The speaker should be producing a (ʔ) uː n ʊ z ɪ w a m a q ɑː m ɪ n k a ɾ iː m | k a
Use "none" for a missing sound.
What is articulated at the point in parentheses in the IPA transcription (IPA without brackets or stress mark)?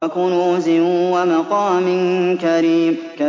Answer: k